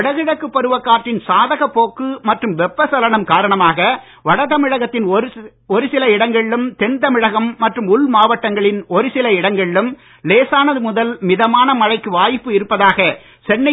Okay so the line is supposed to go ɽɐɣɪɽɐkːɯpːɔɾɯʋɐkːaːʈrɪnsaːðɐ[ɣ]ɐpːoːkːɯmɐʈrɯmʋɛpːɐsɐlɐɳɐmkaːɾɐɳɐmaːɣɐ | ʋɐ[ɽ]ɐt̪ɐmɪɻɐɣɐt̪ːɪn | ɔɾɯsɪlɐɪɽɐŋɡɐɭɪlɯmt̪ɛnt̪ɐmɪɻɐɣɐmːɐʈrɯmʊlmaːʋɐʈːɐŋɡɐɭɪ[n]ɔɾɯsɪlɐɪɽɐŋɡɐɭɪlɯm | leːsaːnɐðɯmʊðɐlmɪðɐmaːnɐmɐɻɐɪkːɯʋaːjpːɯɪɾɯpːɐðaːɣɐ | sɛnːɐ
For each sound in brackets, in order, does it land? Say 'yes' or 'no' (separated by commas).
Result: yes, yes, yes